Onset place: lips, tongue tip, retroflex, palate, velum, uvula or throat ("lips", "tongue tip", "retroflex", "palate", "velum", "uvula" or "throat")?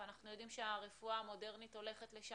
tongue tip